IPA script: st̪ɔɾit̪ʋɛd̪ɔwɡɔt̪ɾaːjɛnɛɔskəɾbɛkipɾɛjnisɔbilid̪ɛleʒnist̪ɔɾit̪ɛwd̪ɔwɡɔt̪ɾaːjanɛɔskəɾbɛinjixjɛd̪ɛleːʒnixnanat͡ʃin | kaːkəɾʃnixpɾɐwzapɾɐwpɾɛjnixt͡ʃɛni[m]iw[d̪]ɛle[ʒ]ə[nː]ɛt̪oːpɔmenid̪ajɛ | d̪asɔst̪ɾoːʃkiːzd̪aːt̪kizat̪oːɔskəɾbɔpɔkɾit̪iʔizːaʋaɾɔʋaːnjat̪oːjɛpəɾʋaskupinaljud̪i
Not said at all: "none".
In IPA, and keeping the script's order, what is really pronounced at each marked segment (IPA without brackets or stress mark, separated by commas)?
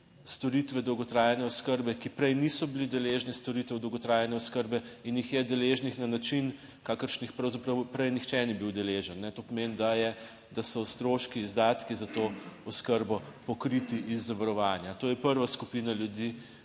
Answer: b, d̪, ʒ, nː